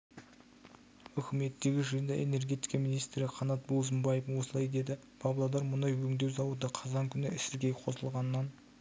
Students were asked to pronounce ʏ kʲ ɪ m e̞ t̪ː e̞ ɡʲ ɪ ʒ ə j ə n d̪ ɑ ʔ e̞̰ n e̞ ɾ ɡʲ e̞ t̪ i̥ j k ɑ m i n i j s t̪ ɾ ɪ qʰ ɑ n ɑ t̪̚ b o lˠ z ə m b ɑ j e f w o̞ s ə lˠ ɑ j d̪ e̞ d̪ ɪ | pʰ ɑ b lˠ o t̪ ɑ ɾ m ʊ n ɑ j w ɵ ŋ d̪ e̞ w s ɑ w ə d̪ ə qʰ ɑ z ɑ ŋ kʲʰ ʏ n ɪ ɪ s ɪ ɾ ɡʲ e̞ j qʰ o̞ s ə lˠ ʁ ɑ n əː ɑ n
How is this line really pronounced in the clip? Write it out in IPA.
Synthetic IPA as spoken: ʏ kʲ ɪ m e̞ t̪ː e̞ ɡʲ ɪ ʒ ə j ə n d̪ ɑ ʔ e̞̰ n e̞ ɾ ɡʲ e̞ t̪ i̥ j k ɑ m i n i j s t̪ ɾ ɪ qʰ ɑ n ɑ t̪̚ b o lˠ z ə m b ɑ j e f w o̞ s ə lˠ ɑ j d̪ e̞ d̪ ɪ | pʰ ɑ b lˠ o d̪ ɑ ɾ m ʊ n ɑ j w ɵ ŋ d̪ e̞ w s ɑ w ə d̪ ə qʰ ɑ z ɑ ŋ kʲʰ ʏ n ɪ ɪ s ɪ ɾ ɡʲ e̞ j qʰ o̞ s ə lˠ ʁ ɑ n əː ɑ n